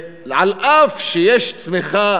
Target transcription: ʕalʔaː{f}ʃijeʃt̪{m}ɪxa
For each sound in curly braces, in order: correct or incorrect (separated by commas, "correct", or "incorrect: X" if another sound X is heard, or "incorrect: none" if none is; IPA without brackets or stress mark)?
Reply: correct, correct